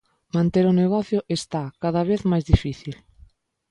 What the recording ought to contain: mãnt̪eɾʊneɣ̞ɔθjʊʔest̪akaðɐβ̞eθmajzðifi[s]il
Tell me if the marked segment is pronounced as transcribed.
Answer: no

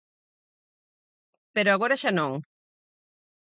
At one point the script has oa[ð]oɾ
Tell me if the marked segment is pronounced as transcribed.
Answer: no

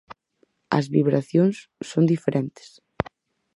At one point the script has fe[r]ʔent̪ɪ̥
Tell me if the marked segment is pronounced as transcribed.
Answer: no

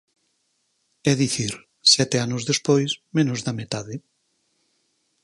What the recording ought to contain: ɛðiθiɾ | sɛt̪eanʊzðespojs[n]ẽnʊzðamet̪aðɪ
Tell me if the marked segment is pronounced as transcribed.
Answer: no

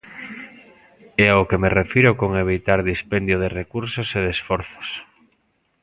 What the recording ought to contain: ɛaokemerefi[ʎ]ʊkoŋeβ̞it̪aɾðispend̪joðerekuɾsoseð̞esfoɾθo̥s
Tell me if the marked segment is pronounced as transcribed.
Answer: no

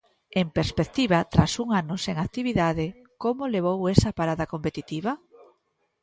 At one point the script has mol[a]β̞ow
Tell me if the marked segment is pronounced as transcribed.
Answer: no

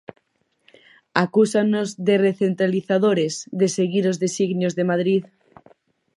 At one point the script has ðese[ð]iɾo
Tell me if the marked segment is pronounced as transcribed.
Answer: no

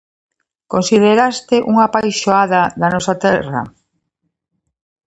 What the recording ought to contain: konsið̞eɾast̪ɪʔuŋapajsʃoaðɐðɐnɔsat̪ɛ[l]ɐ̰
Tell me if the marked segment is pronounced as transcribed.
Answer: no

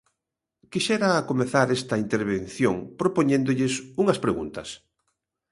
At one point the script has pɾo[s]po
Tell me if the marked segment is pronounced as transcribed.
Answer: no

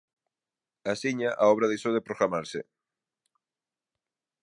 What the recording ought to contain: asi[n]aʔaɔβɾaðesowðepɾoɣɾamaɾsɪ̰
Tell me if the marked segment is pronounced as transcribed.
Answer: no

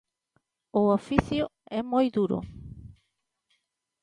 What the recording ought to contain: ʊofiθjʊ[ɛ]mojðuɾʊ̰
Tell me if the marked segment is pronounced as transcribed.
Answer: yes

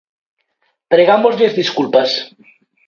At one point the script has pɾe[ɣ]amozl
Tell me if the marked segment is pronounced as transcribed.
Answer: yes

